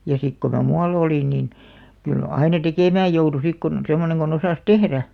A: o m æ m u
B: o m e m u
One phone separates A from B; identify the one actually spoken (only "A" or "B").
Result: A